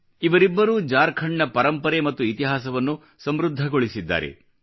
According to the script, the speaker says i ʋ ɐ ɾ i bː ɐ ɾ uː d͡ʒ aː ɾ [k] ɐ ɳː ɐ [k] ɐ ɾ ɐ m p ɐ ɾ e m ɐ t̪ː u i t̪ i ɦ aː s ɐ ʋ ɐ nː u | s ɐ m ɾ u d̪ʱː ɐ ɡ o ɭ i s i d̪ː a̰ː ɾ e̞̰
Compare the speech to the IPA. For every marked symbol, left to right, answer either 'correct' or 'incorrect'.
incorrect, incorrect

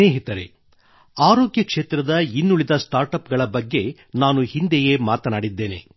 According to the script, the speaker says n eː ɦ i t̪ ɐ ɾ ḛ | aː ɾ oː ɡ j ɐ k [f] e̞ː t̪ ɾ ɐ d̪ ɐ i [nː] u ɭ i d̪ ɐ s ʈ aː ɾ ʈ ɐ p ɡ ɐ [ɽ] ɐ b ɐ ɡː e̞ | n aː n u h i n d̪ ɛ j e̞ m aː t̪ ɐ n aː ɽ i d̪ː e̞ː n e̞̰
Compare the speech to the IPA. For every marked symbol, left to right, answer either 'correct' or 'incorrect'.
incorrect, correct, incorrect

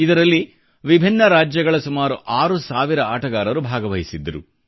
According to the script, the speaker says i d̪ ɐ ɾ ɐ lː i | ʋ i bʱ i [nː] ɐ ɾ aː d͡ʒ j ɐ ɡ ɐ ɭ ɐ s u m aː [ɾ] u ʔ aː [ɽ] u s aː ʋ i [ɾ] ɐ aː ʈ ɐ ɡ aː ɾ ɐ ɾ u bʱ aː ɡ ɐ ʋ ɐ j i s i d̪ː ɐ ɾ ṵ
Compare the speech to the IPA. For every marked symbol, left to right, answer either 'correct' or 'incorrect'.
correct, correct, incorrect, correct

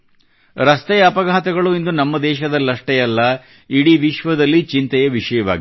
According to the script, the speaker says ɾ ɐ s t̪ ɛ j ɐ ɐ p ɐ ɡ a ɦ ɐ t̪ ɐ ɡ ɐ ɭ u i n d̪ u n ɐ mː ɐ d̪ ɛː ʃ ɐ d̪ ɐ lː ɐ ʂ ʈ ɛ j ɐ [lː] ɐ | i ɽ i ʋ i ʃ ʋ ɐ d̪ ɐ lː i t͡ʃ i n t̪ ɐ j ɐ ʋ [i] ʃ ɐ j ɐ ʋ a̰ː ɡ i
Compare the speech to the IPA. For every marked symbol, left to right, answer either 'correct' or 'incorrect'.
correct, correct

